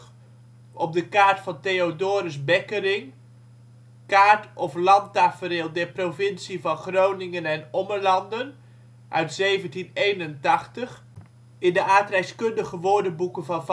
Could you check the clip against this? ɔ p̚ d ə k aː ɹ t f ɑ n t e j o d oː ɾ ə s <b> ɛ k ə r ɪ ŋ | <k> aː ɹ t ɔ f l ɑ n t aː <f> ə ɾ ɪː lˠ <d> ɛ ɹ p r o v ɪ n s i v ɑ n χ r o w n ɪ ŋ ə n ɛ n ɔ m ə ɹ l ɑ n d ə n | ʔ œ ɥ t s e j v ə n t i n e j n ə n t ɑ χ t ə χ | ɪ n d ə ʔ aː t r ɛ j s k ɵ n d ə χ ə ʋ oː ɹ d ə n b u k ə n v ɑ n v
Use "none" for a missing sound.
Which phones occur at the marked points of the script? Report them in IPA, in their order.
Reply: b, k, f, d

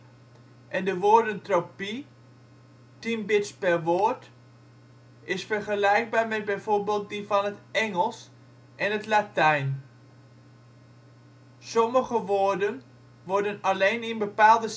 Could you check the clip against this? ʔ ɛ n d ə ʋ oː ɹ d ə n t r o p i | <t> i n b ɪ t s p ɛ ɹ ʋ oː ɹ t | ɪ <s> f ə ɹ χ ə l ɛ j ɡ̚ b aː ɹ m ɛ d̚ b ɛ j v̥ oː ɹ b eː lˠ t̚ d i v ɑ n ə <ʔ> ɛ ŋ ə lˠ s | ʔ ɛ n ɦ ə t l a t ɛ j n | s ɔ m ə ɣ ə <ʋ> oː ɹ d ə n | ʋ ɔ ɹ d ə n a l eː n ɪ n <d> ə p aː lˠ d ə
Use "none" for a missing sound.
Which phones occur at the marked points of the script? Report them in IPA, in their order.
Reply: t, s, t, ʋ, b

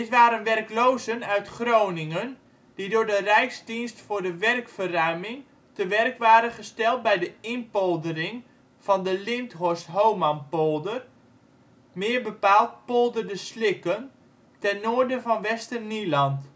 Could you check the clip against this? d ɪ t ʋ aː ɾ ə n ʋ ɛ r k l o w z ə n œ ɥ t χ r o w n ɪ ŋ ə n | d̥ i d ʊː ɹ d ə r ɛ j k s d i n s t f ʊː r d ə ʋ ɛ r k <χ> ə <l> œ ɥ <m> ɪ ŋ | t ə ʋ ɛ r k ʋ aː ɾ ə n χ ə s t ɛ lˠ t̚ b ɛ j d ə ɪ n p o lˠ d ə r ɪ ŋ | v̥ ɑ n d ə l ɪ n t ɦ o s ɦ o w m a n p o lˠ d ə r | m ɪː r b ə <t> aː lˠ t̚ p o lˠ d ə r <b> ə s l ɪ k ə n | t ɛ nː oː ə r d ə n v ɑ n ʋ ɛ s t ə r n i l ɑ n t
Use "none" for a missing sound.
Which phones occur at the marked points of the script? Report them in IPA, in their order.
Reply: f, r, m, p, d

